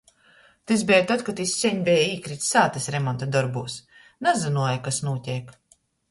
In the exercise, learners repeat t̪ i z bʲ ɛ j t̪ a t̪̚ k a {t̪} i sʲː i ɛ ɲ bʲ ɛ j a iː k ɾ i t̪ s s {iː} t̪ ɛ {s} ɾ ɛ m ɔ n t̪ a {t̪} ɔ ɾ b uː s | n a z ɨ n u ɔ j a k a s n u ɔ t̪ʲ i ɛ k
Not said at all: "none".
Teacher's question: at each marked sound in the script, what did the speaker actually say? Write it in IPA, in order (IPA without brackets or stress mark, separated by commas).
t̪, aː, s, d̪